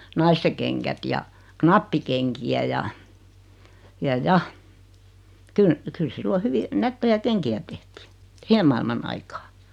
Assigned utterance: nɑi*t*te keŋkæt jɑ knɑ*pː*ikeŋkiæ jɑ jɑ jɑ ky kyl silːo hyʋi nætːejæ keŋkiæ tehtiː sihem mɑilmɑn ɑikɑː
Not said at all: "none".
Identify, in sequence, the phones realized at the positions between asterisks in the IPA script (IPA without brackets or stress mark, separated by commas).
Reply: s, pː